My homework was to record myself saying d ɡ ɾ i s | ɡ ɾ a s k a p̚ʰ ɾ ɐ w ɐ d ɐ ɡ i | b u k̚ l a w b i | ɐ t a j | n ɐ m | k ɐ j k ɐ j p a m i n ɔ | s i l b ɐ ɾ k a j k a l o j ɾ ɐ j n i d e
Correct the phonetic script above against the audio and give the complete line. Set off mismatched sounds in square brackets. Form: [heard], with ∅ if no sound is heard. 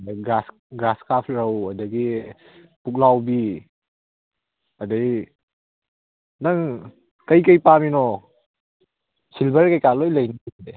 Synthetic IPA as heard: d ɡ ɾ [a] s | ɡ ɾ a s k a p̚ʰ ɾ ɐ w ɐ d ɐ ɡ i | [p] u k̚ l a w b i | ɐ [d] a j | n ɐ [ŋ] | k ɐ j k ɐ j p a m i n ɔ | s i l b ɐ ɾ k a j k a l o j [l] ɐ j n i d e